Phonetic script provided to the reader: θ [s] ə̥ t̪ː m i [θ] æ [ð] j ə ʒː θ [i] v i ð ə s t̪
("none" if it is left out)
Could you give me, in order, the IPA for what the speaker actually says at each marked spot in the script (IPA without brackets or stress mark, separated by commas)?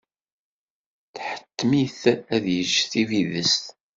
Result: ħ, θ, ð, i